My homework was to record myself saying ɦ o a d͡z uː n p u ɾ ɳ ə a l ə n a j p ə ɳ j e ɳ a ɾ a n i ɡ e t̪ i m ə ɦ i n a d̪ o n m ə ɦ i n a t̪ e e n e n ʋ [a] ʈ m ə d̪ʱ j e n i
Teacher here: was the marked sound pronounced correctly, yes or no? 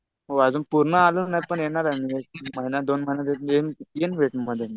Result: no